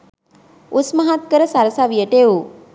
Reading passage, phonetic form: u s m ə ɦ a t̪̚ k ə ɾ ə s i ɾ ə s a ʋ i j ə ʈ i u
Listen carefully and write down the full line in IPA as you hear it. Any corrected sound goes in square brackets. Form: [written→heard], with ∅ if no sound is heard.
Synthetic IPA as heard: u s m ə ɦ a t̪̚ k ə ɾ ə s [i→a] ɾ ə s a ʋ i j ə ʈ [i→e] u